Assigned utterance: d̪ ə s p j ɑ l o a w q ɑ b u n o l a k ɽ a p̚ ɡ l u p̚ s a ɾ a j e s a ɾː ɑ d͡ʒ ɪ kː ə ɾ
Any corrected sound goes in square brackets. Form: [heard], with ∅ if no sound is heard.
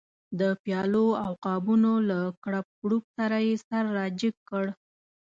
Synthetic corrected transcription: d̪ ə [∅] p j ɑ l o a w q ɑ b u n o l a k ɽ a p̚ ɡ [ɽ] u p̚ s a ɾ a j e s a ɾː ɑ d͡ʒ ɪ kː ə [ɽ]